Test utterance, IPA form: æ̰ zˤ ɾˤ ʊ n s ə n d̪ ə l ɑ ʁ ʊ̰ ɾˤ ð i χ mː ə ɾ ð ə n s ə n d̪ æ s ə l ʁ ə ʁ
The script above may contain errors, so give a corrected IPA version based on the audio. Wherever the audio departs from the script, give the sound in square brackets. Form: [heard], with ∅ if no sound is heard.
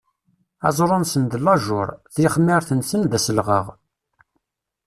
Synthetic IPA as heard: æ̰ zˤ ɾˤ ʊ n s ə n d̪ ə l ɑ [ʒ] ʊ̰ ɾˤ [θ] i χ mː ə ɾ [θ] ə n s ə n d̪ æ s ə l ʁ ə ʁ